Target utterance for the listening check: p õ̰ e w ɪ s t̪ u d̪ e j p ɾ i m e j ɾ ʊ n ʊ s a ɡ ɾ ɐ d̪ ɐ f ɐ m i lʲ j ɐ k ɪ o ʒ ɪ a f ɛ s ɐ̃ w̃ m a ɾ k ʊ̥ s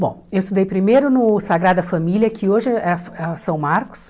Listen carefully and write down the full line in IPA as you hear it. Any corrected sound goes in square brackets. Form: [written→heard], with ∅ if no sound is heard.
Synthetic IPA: [p→b] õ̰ e w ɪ s t̪ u d̪ e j p ɾ i m e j ɾ ʊ n ʊ s a ɡ ɾ [ɐ→a] d̪ ɐ f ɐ m i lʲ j ɐ k ɪ o ʒ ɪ [a→ɛ] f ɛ s ɐ̃ w̃ m a ɾ k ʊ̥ s